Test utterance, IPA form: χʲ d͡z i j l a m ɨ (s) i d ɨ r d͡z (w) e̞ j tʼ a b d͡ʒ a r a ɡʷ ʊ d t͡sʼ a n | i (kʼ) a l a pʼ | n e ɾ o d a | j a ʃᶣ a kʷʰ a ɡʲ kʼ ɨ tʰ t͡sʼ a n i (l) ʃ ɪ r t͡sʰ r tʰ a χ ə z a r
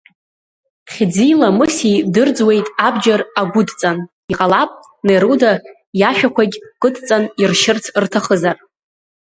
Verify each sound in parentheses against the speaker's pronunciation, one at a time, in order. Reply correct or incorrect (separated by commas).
correct, correct, incorrect, incorrect